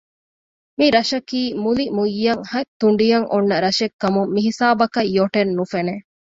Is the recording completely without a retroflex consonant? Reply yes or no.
no